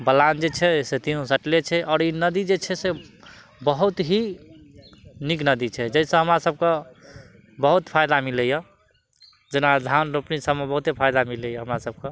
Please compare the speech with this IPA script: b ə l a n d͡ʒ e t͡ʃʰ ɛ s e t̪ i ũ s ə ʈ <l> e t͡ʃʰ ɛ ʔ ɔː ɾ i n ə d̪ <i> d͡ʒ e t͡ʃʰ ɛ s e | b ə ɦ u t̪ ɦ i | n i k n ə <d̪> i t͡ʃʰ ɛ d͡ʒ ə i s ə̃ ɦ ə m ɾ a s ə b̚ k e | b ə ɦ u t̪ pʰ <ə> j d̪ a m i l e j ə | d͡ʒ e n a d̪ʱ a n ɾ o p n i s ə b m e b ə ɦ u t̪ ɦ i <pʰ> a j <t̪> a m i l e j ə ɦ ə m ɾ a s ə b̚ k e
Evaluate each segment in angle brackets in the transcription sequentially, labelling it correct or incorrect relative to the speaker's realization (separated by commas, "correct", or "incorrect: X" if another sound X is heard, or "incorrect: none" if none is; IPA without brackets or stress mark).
correct, correct, correct, incorrect: a, correct, incorrect: d̪